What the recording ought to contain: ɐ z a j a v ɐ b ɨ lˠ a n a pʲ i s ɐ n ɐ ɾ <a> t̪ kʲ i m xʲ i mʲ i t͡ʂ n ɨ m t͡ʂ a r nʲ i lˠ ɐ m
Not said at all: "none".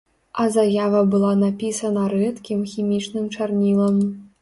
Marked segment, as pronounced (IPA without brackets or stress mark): ɛ